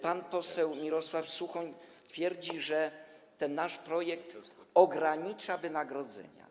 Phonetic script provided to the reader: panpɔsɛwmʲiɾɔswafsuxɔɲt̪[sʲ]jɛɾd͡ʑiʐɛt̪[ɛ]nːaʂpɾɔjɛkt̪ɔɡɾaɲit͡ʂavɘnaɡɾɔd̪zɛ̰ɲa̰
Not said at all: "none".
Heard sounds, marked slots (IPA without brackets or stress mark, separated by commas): fʲ, ɛ